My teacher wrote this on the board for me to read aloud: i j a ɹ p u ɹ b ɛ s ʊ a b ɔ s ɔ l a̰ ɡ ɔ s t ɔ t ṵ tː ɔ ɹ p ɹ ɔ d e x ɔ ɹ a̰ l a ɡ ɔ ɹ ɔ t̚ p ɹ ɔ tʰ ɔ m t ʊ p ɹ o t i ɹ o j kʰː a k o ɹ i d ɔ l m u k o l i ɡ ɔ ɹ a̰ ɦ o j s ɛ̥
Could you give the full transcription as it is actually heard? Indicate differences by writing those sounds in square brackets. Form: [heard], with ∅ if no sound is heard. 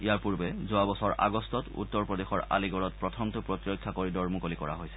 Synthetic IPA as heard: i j a ɹ p u ɹ b ɛ [z] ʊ a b ɔ s ɔ [ɹ] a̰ ɡ ɔ s t ɔ t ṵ tː ɔ ɹ p ɹ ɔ d e x ɔ ɹ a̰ l [i] ɡ ɔ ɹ ɔ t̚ p ɹ ɔ tʰ ɔ m t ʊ p ɹ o t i ɹ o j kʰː a k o ɹ i d ɔ [ɹ] m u k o l i [k] ɔ ɹ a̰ ɦ o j s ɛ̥